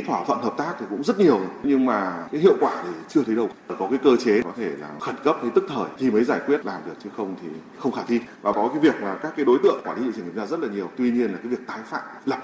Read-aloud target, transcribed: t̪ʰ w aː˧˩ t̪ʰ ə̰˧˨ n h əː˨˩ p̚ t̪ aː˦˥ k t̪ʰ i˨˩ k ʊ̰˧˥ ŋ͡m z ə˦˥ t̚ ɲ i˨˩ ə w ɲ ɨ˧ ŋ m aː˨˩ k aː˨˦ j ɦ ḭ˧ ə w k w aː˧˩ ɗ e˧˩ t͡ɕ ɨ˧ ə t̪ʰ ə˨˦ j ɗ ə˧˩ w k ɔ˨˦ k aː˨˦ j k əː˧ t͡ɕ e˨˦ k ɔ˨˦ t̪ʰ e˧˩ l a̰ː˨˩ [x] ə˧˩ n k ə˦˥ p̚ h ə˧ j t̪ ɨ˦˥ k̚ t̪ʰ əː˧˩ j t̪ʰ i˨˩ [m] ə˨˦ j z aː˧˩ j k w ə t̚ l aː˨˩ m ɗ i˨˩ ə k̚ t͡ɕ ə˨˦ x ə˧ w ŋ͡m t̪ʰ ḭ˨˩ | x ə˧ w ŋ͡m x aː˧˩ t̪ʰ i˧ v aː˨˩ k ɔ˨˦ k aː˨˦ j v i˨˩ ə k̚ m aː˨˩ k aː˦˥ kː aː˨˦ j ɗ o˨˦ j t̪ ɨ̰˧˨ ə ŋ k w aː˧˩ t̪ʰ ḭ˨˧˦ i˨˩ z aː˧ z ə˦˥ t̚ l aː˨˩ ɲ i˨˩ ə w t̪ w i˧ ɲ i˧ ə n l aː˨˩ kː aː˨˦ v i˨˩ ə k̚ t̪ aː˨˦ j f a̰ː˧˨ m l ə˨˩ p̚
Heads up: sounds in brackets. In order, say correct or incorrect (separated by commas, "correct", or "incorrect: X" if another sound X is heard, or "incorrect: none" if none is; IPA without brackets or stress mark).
correct, correct